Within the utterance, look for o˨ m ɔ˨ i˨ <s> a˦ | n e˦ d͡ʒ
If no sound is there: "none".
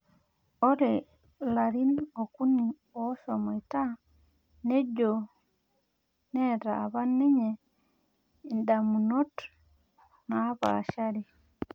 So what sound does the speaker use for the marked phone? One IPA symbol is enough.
t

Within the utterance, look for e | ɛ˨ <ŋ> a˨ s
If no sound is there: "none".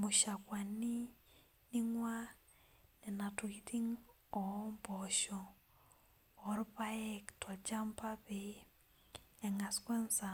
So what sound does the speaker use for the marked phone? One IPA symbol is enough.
ŋ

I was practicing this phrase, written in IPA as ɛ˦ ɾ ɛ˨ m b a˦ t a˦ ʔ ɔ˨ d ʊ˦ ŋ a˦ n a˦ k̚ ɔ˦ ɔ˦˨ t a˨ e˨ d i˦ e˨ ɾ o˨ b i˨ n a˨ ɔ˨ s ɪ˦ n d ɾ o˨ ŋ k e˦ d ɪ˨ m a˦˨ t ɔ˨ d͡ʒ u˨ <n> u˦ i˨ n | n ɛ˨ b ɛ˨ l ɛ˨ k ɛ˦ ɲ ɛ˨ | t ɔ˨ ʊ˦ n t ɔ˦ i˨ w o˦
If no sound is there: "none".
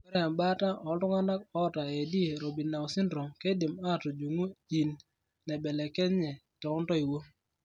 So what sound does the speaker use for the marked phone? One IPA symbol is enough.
ŋ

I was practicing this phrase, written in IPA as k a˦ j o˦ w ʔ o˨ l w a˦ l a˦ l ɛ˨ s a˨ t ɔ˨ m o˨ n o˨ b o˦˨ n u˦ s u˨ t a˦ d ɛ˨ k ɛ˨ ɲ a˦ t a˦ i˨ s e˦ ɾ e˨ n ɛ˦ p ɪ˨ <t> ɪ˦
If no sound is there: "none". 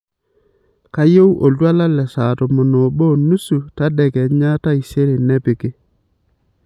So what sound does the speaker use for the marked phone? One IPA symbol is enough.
k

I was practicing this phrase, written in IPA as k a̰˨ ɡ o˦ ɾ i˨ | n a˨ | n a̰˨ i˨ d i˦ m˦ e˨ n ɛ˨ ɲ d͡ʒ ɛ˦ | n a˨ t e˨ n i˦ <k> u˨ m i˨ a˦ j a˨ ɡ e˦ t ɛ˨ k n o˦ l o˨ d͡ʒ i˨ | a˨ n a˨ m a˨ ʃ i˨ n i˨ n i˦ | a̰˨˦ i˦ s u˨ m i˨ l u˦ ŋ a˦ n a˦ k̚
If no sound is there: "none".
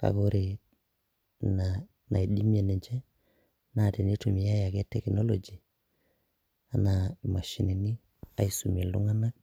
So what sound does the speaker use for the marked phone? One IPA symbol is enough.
t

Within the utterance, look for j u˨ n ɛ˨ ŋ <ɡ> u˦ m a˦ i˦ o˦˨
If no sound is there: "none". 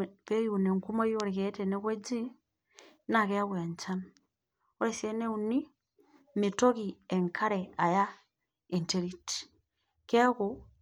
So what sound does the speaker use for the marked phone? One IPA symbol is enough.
k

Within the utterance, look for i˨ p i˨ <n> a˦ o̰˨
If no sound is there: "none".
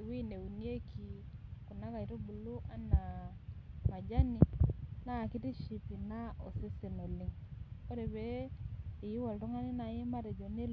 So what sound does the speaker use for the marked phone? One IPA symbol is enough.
n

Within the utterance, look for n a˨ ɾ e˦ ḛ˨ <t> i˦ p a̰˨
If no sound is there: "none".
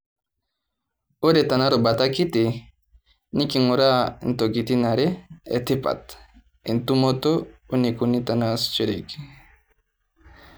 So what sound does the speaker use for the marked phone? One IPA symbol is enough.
t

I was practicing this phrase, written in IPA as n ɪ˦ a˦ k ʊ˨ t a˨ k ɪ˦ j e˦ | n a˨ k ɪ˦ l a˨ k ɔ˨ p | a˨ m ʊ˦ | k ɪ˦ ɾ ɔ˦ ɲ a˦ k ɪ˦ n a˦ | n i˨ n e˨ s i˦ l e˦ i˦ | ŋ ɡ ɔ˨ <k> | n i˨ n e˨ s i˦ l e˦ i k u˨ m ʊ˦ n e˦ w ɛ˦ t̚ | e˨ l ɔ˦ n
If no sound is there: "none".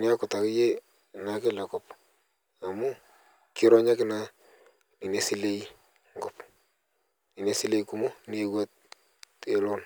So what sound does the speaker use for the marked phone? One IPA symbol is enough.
p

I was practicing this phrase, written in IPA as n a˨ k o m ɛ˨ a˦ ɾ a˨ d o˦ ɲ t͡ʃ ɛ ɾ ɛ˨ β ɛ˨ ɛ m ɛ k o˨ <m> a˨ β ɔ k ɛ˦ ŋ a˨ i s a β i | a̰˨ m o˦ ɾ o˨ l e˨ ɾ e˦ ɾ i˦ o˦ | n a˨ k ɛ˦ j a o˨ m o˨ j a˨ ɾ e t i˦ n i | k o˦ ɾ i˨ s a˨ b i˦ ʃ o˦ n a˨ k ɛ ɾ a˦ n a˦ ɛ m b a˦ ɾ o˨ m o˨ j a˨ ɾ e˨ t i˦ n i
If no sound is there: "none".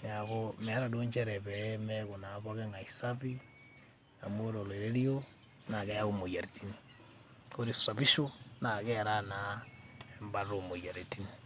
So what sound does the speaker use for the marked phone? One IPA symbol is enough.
n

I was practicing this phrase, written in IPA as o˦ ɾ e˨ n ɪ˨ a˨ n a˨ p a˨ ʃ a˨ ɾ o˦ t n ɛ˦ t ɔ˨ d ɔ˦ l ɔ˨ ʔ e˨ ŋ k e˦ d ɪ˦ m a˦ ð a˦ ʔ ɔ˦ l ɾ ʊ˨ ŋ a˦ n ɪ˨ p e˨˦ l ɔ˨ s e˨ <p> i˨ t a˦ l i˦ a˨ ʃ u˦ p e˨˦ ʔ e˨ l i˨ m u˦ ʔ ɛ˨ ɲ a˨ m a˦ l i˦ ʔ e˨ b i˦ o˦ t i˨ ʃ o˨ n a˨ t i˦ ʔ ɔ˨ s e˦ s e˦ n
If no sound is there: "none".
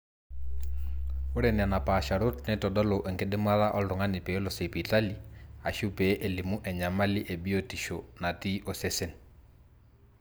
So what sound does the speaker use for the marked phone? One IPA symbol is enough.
p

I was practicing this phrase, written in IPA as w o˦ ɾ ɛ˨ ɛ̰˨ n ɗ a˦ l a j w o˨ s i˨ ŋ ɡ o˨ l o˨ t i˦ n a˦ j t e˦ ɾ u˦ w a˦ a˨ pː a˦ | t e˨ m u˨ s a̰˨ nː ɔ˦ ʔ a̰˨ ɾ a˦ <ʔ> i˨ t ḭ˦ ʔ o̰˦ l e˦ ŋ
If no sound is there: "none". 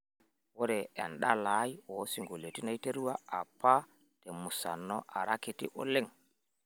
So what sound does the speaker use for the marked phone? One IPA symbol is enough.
k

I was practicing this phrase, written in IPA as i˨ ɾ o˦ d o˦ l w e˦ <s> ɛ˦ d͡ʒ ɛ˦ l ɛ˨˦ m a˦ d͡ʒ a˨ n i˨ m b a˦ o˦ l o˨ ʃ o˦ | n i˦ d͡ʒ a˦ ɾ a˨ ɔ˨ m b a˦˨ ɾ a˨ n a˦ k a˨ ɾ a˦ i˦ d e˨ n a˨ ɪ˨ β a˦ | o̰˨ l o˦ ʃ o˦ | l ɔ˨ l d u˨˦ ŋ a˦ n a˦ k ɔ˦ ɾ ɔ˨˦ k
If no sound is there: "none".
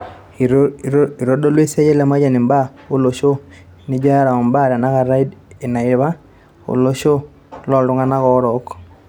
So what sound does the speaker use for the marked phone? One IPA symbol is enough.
s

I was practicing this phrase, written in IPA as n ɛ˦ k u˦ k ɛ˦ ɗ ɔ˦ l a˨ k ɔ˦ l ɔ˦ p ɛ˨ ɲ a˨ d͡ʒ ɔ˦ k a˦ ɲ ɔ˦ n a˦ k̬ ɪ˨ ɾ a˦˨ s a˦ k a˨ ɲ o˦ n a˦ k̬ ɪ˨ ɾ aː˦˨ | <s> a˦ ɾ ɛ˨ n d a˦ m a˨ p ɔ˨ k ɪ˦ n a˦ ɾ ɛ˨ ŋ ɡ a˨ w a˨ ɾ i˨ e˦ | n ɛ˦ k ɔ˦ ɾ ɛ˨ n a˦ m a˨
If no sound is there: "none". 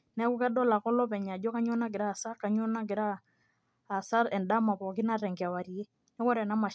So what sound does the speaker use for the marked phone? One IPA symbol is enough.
s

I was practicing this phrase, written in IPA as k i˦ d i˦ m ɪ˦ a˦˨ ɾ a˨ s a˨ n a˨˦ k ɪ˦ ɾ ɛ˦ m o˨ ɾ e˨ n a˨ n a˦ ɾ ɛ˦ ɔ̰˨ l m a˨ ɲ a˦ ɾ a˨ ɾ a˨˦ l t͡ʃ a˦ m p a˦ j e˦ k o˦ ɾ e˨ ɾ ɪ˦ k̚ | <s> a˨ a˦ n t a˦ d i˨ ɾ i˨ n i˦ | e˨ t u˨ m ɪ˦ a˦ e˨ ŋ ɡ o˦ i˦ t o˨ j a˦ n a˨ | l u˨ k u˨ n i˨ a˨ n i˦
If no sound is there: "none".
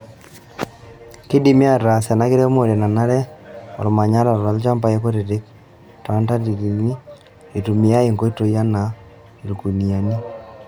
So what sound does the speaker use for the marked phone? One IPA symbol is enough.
t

